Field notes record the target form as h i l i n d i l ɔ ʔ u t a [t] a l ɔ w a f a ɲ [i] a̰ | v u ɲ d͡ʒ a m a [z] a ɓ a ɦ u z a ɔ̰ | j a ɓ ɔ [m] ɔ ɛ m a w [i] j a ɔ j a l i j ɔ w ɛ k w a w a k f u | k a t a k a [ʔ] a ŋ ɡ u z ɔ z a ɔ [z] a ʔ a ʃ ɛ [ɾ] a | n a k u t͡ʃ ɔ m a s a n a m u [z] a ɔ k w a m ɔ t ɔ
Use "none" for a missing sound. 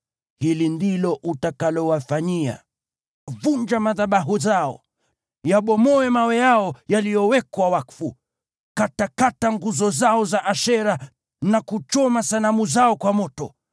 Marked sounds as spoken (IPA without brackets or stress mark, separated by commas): k, i, ð, m, ɛ, t, z, ɾ, z